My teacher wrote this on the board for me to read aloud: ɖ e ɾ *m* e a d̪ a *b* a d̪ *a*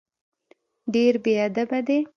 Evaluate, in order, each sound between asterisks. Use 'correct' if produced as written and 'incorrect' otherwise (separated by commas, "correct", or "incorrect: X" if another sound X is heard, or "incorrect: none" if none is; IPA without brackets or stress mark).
incorrect: b, correct, incorrect: e